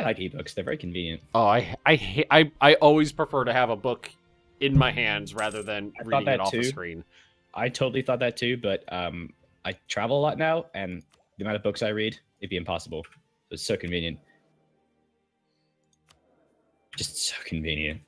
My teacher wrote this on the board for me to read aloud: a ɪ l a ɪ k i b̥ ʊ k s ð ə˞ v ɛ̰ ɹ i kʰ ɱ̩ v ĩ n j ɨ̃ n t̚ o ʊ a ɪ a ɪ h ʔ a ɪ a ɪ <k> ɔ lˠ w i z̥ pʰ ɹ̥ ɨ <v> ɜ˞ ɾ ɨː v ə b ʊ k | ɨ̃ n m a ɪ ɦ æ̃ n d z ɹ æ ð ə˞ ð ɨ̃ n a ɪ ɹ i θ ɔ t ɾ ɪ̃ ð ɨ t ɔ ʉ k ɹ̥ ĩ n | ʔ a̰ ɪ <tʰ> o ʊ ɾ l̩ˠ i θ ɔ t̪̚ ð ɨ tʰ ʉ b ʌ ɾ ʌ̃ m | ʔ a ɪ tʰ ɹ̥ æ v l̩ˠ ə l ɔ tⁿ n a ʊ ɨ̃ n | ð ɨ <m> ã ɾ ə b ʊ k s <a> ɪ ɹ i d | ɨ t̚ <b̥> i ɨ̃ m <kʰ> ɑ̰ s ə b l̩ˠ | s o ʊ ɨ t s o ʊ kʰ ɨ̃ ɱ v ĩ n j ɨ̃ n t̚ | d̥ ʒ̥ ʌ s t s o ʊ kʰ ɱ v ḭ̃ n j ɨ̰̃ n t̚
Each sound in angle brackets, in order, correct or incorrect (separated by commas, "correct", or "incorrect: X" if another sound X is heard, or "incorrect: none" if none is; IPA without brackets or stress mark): incorrect: ʔ, incorrect: f, correct, correct, correct, correct, incorrect: pʰ